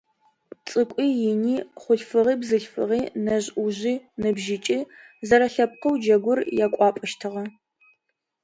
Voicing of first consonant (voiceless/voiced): voiceless